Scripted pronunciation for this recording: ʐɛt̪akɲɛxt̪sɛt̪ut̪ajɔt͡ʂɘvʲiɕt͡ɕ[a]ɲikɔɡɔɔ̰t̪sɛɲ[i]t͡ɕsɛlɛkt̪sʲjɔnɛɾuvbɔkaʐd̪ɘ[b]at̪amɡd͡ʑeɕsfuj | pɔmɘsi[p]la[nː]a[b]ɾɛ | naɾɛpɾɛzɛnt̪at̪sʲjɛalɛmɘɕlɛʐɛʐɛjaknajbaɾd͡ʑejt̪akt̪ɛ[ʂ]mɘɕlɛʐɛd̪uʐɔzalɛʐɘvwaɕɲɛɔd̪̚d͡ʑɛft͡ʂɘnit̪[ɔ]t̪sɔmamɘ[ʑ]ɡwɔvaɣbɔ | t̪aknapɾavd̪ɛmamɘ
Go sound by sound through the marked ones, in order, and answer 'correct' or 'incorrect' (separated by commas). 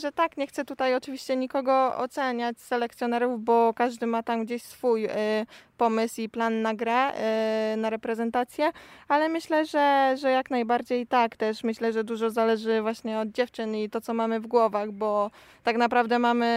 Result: incorrect, incorrect, incorrect, correct, correct, incorrect, correct, correct, incorrect